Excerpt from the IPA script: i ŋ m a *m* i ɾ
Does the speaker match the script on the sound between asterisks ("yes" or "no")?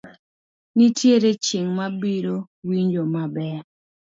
no